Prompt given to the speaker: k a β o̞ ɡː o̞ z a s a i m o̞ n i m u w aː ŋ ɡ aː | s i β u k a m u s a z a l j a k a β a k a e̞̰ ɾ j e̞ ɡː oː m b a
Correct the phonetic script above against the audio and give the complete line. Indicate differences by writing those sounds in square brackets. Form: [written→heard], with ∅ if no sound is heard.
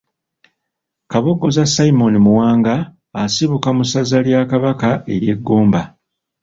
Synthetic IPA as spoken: k a β o̞ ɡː o̞ z a s a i m o̞ n i m u w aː ŋ ɡ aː | s i β u k a m u s a z a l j a k a β a k a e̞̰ ɾ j e̞ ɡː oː m b a